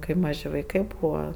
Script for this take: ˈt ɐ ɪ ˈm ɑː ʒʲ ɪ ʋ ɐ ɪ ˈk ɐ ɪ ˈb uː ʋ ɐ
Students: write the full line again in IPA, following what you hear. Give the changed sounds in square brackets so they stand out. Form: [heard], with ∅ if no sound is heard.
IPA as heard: [ˈk] ɐ ɪ ˈm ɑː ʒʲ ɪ ʋ ɐ ɪ ˈk ɐ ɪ ˈb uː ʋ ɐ